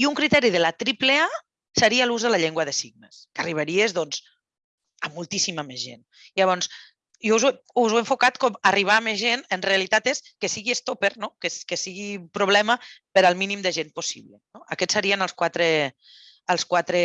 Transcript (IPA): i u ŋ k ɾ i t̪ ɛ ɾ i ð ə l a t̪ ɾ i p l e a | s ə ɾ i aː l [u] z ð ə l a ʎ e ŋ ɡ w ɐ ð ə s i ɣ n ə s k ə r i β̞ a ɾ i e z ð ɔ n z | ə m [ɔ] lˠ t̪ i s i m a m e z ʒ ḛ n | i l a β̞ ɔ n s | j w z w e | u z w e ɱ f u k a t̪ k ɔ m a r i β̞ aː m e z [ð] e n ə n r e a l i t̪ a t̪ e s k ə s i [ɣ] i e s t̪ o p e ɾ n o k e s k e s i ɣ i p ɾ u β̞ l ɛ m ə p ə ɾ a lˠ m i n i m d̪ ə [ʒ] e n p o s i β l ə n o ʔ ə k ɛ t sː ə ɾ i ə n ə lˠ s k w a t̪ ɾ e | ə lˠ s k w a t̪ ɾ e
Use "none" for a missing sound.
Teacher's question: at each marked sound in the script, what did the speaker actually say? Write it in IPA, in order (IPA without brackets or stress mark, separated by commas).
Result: u, u, ʒ, ɣ, ʒ